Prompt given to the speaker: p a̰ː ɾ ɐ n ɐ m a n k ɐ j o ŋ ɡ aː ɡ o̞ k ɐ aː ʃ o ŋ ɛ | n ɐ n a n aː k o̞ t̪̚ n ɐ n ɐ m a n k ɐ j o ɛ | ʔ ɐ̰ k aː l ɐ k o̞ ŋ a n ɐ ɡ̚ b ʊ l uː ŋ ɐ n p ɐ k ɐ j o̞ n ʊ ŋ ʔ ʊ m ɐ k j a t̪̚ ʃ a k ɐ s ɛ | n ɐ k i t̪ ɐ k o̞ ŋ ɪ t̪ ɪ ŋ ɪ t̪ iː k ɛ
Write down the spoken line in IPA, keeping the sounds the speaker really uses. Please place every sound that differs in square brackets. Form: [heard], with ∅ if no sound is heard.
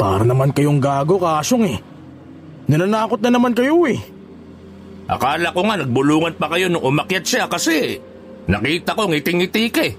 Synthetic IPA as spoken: p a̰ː ɾ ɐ n ɐ m a n k ɐ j o ŋ ɡ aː ɡ o̞ k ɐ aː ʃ o ŋ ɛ | n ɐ n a n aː k o̞ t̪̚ n ɐ n ɐ m a n k ɐ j o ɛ | ʔ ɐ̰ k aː l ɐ k o̞ ŋ a n ɐ ɡ̚ b ʊ l uː ŋ ɐ n p ɐ k ɐ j o̞ n ʊ ŋ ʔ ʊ m ɐ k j a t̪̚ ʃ a k ɐ s ɛ | n ɐ k [iː] t̪ ɐ k o̞ ŋ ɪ t̪ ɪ ŋ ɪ t̪ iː k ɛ